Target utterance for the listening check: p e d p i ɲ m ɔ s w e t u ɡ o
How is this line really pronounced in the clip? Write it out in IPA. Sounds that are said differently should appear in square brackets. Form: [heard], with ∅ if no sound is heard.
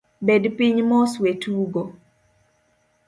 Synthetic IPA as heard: [b] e d p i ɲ m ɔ s w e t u ɡ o